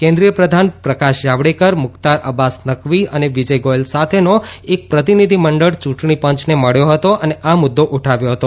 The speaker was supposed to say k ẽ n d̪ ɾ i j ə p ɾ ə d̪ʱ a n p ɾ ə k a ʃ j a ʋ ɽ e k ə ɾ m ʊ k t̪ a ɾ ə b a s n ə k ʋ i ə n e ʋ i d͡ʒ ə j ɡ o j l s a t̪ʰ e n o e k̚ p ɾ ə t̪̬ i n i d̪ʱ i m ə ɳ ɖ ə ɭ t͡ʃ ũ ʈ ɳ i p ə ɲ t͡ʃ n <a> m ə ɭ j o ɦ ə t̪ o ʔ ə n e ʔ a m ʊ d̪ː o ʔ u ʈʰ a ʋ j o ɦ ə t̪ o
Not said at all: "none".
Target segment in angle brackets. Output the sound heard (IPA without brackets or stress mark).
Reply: e